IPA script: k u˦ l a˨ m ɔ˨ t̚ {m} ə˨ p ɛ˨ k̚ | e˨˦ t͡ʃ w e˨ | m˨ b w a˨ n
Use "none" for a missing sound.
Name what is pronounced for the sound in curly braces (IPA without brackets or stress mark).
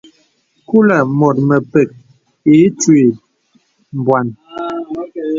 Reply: m